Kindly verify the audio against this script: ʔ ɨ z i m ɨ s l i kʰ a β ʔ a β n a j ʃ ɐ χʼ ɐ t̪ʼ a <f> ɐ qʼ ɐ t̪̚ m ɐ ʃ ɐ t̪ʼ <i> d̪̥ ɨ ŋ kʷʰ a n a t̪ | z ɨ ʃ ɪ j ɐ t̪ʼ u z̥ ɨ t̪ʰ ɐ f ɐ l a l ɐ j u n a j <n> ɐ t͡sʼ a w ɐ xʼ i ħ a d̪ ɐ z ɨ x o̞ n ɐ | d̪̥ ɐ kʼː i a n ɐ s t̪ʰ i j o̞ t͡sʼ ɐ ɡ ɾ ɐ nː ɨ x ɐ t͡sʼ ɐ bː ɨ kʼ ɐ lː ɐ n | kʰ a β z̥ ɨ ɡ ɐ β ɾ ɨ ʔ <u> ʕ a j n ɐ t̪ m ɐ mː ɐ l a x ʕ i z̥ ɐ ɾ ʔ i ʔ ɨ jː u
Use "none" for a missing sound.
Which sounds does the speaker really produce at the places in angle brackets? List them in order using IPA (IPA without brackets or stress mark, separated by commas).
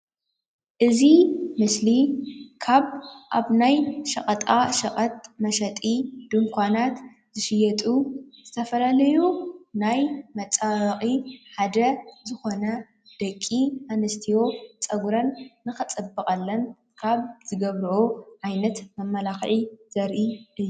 ʃ, i, m, o